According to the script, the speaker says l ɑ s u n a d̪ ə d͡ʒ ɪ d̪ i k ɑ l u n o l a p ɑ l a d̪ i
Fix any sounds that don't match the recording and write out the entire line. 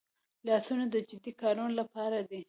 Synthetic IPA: l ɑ s u n a d̪ ə d͡ʒ ɪ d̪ i k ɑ ɾ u n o l a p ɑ ɾ a d̪ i